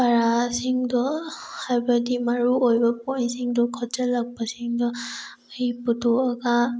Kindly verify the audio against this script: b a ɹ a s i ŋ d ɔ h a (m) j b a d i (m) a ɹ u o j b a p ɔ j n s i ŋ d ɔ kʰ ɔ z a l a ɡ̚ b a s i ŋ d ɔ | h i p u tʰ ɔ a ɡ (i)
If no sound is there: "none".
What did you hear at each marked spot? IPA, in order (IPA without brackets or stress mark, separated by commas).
none, m, a